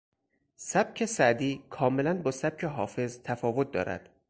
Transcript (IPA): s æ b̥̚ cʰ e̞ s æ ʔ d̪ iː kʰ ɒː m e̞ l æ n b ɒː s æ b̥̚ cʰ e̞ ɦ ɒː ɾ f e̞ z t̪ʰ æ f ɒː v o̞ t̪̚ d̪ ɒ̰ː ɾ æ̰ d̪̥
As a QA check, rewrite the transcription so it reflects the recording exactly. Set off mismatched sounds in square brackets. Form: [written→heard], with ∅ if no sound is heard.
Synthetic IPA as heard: s æ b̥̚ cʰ e̞ s æ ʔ d̪ iː kʰ ɒː m e̞ l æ n b ɒː s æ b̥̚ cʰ e̞ ɦ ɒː [ɾ→∅] f e̞ z t̪ʰ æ f ɒː v o̞ t̪̚ d̪ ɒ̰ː ɾ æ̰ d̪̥

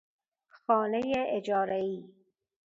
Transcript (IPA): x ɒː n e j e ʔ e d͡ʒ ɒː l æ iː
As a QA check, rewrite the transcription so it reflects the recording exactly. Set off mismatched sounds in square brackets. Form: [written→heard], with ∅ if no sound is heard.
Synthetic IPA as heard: x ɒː n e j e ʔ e d͡ʒ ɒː [l→ɾ] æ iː

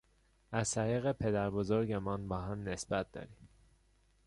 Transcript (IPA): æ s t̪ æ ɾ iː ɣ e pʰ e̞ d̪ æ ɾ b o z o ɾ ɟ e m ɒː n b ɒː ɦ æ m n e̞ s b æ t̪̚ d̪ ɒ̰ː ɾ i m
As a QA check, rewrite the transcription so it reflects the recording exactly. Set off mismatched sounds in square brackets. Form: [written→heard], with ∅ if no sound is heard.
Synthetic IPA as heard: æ [s→z] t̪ æ ɾ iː ɣ e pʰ e̞ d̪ æ ɾ b o z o ɾ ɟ e m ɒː n b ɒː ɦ æ m n e̞ s b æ t̪̚ d̪ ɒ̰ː ɾ i m

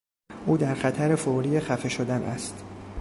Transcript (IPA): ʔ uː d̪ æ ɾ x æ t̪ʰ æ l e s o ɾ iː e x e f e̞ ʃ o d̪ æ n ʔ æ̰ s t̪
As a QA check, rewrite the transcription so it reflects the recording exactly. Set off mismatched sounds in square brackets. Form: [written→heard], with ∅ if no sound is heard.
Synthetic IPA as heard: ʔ uː d̪ æ ɾ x æ t̪ʰ æ [l→ɾ] e [s→f] o ɾ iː e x [e→æ] f e̞ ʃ o d̪ æ n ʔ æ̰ s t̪

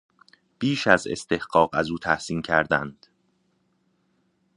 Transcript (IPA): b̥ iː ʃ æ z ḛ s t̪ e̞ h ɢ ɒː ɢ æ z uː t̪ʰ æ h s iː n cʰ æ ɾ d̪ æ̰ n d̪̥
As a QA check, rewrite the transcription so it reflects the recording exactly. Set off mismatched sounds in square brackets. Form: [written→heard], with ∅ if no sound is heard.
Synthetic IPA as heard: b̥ iː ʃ æ z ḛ s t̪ e̞ h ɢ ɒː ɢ æ z uː t̪ʰ æ h s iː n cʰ æ ɾ d̪ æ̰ n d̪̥

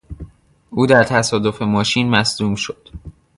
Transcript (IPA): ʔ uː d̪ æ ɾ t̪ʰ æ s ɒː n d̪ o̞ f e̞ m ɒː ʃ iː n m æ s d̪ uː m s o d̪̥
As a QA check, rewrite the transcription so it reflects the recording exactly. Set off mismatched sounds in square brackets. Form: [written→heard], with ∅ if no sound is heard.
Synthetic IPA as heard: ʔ uː d̪ æ ɾ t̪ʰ æ s ɒː [n→∅] d̪ o̞ f e̞ m ɒː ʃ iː n m æ s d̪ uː m [s→ʃ] o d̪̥

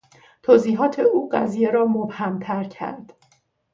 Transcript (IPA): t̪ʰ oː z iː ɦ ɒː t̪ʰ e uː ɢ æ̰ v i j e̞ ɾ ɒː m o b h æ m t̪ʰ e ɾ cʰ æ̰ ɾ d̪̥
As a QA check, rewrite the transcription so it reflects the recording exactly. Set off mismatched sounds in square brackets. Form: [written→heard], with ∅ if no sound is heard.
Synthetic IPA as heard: t̪ʰ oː z iː ɦ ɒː t̪ʰ e uː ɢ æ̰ [v→z] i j e̞ ɾ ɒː m o b h æ m t̪ʰ [e→æ] ɾ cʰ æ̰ ɾ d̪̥

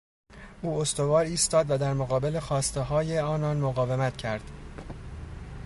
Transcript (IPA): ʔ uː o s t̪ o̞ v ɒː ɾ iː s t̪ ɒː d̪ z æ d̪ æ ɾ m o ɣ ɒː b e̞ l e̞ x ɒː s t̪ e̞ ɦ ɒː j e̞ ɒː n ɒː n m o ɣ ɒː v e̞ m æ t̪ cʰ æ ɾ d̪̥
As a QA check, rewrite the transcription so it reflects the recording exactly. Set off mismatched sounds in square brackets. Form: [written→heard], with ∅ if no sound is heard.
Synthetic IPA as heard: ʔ uː o s t̪ o̞ v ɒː ɾ iː s t̪ ɒː d̪ [z→v] æ d̪ æ ɾ m o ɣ ɒː b e̞ l e̞ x ɒː s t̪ e̞ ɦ ɒː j e̞ ɒː n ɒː n m o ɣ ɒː v e̞ m æ t̪ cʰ æ ɾ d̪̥

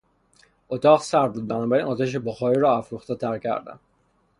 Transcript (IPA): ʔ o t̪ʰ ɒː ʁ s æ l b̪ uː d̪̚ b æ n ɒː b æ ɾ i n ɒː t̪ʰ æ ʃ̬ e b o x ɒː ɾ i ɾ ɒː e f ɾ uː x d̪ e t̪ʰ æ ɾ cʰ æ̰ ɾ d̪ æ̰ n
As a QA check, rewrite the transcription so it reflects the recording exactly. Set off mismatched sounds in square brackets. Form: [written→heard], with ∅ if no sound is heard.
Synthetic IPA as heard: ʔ o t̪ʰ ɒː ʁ s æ [l→ɾ] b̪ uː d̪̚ b æ n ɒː b æ ɾ i n ɒː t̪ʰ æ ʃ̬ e b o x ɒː ɾ i ɾ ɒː [e→æ] f ɾ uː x [d̪→t̪] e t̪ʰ æ ɾ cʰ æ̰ ɾ d̪ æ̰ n

